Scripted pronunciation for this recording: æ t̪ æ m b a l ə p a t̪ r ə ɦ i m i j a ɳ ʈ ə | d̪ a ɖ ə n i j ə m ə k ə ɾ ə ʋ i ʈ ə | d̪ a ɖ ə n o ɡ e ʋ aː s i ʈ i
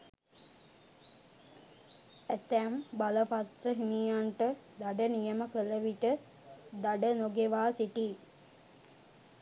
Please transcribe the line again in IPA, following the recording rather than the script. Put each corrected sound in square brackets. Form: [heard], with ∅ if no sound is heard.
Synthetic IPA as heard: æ t̪ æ m b a l ə p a t̪ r ə ɦ i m i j a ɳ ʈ ə | d̪ a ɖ ə n i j ə m ə k ə [l] ə ʋ i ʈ ə | d̪ a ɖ ə n o ɡ e ʋ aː s i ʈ i